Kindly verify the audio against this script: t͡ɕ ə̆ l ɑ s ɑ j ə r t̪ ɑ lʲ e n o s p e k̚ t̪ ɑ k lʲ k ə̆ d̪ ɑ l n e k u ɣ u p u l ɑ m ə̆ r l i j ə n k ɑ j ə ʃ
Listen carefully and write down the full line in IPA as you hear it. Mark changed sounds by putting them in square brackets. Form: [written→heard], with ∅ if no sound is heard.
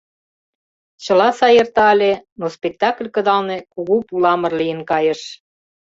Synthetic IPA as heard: t͡ɕ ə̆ l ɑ s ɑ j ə r t̪ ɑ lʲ e n o s p e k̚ t̪ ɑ k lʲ k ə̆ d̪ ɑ l n e k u ɣ u p u l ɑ m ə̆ r l i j ə n k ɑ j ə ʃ